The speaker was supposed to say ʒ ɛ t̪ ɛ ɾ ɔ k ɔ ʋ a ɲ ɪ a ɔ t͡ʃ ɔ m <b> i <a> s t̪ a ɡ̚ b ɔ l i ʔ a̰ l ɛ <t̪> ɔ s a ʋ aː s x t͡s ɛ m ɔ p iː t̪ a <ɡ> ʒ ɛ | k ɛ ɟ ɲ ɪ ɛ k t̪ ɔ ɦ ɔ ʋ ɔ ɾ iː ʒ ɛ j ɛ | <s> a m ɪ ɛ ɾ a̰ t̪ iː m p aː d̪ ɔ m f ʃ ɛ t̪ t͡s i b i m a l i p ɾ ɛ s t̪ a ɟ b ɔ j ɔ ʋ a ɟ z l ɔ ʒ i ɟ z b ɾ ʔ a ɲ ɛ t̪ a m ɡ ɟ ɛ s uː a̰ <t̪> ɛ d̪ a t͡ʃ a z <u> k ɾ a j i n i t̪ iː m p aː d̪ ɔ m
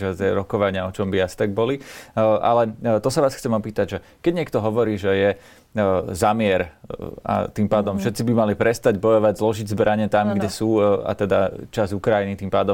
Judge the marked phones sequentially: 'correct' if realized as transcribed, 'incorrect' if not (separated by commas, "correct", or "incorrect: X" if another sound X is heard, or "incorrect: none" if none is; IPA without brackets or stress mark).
correct, correct, correct, incorrect: ɟ, incorrect: z, correct, correct